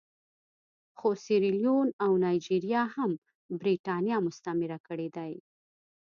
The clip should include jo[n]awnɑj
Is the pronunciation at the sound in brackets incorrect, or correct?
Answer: correct